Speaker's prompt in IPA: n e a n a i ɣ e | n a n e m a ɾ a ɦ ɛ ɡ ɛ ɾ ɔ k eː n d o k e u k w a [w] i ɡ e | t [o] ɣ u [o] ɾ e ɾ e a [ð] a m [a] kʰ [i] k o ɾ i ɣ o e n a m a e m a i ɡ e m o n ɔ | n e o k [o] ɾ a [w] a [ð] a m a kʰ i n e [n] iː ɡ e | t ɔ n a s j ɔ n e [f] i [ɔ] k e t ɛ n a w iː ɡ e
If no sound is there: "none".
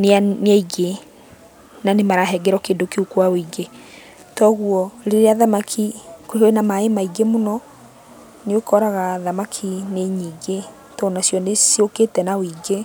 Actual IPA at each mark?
w, ɔ, ɔ, ð, a, i, ɔ, ɣ, ð, ɲ, s, o

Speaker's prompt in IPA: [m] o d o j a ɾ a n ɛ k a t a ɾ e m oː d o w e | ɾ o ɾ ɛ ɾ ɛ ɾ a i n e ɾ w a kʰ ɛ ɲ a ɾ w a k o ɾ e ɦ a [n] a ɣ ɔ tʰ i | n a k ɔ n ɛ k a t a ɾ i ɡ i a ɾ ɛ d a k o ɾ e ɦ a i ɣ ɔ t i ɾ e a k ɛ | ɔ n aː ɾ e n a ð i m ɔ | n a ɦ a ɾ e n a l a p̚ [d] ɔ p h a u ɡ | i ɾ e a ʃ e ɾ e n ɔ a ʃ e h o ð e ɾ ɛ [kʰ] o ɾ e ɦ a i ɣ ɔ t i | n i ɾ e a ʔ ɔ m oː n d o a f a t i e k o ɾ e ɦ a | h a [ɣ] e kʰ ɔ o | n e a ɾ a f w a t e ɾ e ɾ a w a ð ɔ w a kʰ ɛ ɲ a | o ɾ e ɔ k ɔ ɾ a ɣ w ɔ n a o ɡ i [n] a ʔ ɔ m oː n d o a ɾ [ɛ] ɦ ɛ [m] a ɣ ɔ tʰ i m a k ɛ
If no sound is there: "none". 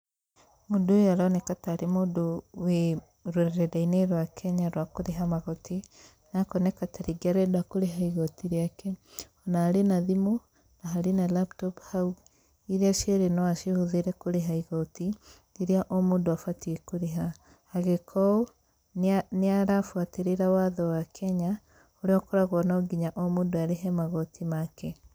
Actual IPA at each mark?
m, m, t, k, ɣ, ɲ, e, m

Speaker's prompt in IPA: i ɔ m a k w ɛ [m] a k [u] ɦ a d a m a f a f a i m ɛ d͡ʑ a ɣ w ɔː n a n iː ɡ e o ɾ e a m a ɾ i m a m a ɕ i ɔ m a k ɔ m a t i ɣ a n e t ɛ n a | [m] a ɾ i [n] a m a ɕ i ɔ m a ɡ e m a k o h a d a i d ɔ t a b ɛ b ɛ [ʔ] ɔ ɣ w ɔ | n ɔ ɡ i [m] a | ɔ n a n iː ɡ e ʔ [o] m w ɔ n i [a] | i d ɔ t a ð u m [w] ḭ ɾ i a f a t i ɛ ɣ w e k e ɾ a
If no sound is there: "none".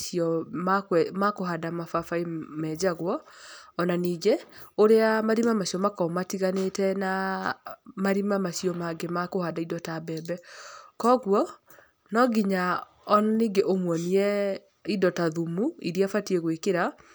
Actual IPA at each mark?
m, o, m, m, k, ɲ, o, ɛ, u

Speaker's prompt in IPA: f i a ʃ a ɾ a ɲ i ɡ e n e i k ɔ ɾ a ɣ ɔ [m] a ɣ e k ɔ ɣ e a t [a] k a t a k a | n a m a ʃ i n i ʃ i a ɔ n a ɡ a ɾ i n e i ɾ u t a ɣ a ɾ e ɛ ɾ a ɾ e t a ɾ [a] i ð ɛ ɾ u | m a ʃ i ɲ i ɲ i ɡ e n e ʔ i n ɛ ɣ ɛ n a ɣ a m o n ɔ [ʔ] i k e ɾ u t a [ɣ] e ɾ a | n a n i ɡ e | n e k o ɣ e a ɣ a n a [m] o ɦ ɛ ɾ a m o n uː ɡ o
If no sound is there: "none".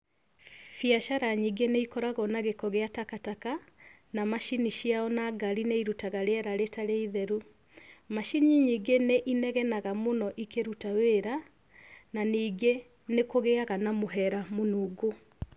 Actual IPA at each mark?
n, a, e, ʔ, w, m

